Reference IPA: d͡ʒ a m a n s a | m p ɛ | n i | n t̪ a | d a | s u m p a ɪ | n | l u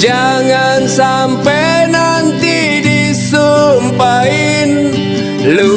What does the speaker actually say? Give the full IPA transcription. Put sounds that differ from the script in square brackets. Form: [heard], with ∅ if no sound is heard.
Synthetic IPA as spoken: d͡ʒ a [ŋ] a n s a | m p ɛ | n [a] | n t̪ [i] | d [i] | s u m p a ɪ | n | l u